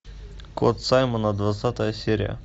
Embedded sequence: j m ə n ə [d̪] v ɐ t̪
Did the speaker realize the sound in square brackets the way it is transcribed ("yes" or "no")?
yes